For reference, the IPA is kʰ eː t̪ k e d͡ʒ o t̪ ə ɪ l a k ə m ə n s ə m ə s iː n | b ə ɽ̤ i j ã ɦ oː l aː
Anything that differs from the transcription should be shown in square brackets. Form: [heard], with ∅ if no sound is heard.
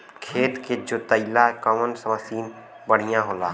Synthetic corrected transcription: kʰ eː t̪ k e d͡ʒ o t̪ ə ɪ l a k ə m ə n s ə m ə s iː n | b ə ɽ̤ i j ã ɦ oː l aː